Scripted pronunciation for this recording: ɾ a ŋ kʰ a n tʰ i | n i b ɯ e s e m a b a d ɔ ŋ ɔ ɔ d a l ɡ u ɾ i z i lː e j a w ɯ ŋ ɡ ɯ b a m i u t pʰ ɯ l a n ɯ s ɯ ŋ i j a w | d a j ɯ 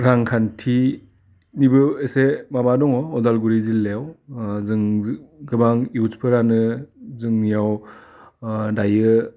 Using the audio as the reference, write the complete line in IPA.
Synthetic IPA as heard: ɾ a ŋ kʰ a n tʰ i | n i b ɯ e s e m a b a d ɔ ŋ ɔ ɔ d a l ɡ u ɾ i z i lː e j a w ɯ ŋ ɡ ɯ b a ŋ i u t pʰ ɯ ɾ a n ɯ z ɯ ŋ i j a w | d a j ɯ